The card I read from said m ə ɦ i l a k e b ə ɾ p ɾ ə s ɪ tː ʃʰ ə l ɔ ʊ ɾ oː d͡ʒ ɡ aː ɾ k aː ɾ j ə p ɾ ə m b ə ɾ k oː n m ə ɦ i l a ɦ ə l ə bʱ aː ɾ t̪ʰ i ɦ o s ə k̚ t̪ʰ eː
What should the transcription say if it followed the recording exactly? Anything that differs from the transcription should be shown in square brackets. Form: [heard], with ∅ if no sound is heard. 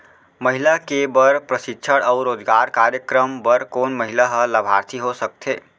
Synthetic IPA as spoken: m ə ɦ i l a k e b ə ɾ p ɾ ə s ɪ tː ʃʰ ə [ɽ] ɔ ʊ ɾ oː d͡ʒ ɡ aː ɾ k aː ɾ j ə [k] ɾ ə m b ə ɾ k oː n m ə ɦ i l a ɦ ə l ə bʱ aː ɾ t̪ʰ i ɦ o s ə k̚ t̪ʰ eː